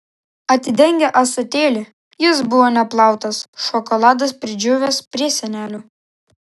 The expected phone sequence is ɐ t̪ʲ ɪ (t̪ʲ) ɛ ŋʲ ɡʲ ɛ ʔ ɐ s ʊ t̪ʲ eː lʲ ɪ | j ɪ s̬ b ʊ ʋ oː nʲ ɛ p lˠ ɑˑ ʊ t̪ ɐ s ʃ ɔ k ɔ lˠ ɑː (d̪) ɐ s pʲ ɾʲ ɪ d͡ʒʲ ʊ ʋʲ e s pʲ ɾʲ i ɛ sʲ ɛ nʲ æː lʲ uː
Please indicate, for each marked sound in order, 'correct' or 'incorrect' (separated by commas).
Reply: incorrect, correct